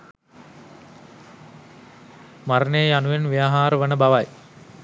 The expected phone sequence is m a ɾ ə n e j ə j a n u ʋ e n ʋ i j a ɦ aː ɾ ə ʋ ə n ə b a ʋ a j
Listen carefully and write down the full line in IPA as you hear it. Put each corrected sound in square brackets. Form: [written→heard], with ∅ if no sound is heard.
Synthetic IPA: m a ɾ ə n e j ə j a n u ʋ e n ʋ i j a ɦ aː ɾ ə ʋ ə n ə b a ʋ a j